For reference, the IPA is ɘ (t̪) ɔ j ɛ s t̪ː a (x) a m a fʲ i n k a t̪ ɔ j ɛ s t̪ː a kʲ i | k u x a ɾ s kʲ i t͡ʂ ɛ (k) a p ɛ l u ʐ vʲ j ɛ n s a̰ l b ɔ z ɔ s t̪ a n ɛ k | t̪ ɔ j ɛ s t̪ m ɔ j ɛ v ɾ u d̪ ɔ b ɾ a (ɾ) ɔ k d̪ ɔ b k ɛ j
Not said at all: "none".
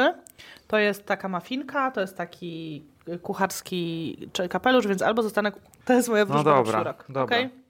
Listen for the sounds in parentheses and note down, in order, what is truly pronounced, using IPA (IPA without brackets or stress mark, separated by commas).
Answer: t̪, k, k, ɾ